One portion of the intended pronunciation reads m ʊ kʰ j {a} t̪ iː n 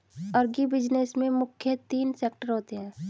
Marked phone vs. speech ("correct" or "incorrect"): incorrect